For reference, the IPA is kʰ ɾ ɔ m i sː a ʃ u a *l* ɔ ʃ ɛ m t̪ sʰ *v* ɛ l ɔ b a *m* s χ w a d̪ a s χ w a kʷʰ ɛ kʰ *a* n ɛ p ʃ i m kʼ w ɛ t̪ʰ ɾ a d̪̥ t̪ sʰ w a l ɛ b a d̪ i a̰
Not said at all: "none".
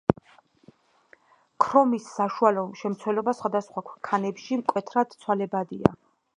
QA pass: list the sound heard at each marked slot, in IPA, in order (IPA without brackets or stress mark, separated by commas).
l, w, none, a